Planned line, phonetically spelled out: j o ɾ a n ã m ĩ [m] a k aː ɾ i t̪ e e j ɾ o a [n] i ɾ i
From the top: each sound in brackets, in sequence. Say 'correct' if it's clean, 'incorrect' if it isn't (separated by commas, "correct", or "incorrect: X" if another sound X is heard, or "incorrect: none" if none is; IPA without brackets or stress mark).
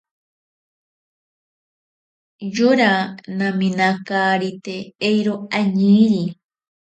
incorrect: n, incorrect: ɲ